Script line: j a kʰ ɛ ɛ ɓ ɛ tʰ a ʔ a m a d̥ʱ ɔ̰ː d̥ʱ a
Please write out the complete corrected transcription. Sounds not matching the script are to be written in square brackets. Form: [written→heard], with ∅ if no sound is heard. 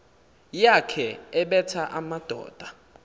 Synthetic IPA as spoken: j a kʰ ɛ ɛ ɓ ɛ tʰ a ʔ a m a d̥ʱ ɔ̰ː d̥ʱ a